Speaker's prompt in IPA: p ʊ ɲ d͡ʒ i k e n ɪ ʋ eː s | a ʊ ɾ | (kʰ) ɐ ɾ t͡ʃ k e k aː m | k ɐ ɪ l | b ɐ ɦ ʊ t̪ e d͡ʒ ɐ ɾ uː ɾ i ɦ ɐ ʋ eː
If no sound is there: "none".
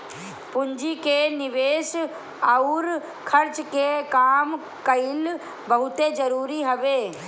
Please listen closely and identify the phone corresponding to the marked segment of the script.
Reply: kʰ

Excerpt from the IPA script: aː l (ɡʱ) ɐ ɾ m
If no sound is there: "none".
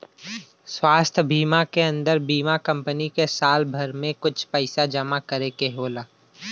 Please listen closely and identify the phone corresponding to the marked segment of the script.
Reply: bʱ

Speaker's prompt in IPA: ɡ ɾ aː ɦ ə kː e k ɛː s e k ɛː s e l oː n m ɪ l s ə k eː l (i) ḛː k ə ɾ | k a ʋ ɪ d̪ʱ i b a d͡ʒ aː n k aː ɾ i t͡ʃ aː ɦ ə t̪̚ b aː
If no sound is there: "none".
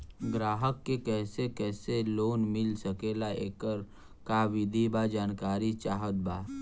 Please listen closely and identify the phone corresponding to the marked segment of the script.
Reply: a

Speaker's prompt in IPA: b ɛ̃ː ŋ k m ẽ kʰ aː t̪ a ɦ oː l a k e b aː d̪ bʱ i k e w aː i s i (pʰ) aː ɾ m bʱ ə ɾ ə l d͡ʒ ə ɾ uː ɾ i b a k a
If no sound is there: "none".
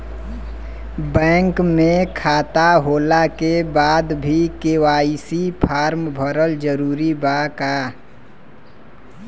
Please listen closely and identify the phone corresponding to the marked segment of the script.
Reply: pʰ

